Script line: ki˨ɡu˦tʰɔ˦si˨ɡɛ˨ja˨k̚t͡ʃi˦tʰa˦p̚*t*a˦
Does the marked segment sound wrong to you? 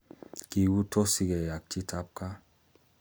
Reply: yes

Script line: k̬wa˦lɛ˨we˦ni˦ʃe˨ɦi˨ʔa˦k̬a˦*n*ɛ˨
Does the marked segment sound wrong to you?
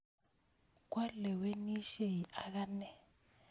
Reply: no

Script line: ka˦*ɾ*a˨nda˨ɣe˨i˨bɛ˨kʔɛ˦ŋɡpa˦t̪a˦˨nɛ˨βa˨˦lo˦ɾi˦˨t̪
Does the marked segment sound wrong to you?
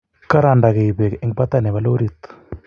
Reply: no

